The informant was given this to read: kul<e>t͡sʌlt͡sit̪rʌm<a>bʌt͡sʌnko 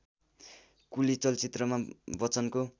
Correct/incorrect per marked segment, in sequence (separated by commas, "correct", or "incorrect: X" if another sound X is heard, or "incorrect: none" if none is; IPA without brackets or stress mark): incorrect: i, correct